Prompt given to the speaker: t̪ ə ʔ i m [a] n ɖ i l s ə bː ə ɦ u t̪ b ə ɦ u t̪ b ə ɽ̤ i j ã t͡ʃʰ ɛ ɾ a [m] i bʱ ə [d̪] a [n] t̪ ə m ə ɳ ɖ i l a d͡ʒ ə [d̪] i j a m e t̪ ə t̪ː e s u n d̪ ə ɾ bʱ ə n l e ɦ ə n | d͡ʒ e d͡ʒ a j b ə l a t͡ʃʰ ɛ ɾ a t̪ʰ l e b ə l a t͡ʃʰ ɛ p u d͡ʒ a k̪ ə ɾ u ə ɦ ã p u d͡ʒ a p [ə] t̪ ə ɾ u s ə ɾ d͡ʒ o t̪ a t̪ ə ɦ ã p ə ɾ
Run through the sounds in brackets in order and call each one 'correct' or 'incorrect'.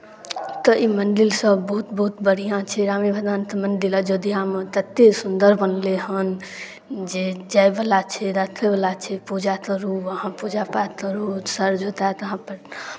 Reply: incorrect: ə, correct, correct, correct, correct, incorrect: a

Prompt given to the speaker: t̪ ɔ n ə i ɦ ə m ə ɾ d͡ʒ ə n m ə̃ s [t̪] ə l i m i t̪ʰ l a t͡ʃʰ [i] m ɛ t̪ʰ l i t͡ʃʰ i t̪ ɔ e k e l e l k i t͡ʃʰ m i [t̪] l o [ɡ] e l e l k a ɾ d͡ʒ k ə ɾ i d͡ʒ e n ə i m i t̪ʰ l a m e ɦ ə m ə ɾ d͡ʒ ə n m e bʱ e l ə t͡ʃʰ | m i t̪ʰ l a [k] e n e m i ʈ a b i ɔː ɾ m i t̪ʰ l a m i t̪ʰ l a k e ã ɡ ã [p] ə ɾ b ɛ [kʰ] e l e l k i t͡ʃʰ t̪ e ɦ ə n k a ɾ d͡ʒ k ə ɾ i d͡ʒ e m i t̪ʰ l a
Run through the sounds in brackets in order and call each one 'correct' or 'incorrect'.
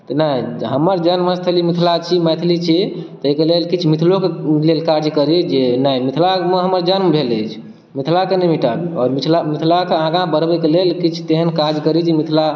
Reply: incorrect: t̪ʰ, correct, incorrect: t̪ʰ, incorrect: k, correct, incorrect: b, incorrect: k

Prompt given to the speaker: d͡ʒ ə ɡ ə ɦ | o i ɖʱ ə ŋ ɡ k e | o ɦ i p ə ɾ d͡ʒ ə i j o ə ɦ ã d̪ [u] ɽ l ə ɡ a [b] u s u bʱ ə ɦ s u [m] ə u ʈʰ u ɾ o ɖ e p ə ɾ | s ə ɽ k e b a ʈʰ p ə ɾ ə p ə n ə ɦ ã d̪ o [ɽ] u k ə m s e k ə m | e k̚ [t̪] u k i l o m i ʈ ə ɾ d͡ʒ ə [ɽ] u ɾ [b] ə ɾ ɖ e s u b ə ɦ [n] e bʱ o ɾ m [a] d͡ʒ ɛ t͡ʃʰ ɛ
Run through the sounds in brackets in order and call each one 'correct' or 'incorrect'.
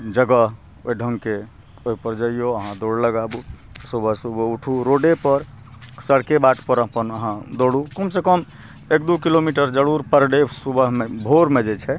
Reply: incorrect: o, correct, incorrect: b, correct, incorrect: d̪, correct, incorrect: p, incorrect: m, incorrect: e

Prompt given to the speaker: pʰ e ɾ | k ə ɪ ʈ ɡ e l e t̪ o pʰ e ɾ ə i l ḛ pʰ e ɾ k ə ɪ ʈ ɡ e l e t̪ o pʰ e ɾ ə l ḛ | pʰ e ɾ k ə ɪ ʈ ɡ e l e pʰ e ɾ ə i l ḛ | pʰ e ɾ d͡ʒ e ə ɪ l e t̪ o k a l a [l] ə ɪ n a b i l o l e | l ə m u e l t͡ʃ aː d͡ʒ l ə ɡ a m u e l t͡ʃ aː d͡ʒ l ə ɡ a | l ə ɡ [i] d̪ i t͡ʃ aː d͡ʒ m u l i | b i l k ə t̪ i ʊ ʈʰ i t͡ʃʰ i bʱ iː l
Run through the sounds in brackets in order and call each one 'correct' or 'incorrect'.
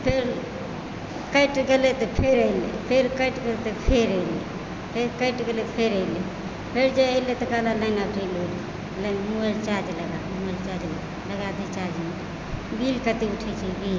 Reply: correct, incorrect: a

